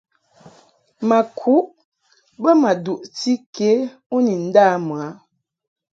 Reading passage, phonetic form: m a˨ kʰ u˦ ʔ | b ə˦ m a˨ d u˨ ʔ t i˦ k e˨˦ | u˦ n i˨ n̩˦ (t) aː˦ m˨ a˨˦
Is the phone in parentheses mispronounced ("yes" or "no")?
yes